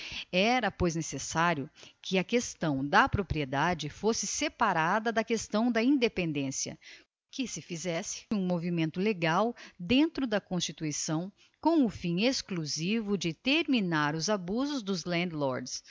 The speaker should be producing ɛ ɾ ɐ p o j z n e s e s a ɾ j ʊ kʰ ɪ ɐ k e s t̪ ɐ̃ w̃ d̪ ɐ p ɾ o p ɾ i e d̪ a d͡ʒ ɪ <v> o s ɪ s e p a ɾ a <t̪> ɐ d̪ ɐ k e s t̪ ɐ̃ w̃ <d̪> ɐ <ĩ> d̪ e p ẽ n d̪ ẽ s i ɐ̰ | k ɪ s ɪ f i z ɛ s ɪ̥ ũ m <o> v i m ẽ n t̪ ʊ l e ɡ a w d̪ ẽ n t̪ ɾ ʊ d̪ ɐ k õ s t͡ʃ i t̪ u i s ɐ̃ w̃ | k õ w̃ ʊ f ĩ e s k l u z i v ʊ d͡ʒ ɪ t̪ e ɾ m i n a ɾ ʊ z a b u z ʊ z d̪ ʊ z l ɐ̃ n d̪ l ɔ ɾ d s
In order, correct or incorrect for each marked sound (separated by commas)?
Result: incorrect, incorrect, correct, correct, correct